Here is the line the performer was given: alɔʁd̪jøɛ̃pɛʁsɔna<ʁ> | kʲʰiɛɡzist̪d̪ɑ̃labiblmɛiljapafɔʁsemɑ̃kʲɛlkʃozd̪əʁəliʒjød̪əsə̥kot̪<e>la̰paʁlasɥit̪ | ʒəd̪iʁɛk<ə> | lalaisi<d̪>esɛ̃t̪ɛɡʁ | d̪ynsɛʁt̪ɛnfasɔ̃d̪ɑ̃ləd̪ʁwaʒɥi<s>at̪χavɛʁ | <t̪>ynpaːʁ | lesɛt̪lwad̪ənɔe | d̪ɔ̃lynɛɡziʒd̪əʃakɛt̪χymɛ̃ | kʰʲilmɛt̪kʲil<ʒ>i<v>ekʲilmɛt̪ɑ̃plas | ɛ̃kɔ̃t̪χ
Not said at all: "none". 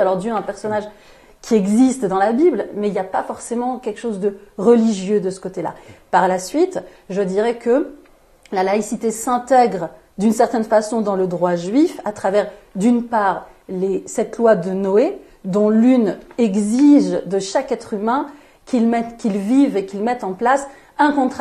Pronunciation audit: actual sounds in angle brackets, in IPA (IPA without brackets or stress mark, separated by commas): ʒ, e, ə, t̪, f, d̪, v, v